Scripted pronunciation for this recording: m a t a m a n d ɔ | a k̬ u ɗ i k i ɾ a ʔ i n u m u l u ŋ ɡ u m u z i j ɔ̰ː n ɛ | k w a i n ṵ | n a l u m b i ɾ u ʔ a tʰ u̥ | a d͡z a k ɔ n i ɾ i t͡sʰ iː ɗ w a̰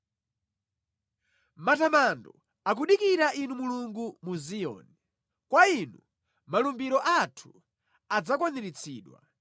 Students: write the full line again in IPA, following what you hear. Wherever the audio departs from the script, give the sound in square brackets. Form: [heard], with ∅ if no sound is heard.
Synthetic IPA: m a t a m a n d ɔ | a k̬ u ɗ i k i ɾ a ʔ i n u m u l u ŋ ɡ u m u z i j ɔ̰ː n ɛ | k w a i n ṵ | [m] a l u m b i ɾ [ɔ] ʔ a tʰ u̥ | a d͡z a k ɔ n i ɾ i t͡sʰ iː ɗ w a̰